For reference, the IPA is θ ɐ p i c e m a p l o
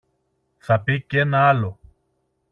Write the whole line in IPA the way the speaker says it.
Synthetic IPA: θ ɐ p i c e n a l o